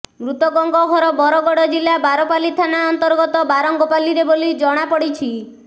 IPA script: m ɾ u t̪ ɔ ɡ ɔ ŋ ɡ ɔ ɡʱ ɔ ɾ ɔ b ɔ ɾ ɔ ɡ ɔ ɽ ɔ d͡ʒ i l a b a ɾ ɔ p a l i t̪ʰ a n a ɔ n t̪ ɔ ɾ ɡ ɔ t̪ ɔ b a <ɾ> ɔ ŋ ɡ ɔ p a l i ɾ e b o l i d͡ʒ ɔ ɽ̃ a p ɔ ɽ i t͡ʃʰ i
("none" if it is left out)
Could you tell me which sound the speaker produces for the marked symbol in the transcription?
ɾ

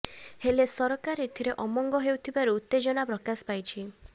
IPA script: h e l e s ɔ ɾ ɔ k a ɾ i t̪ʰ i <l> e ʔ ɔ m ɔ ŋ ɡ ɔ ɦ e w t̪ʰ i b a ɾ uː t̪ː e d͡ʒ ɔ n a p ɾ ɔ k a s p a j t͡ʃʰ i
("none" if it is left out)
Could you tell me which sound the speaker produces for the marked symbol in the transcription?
ɾ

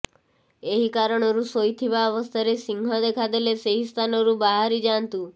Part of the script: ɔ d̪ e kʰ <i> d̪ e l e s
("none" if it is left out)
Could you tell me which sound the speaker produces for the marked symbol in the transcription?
a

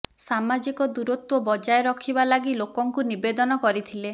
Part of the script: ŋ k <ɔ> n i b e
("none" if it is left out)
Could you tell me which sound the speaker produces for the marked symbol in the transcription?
u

